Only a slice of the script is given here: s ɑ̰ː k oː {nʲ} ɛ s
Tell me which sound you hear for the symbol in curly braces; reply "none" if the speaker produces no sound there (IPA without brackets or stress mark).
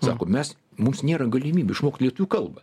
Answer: mʲ